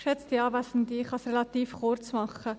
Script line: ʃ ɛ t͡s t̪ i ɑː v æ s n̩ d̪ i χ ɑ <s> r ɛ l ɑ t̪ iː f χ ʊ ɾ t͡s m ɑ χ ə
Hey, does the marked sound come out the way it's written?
yes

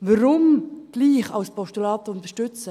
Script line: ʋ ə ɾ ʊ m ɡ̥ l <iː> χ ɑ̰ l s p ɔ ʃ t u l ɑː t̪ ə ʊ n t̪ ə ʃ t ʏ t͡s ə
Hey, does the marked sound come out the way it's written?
yes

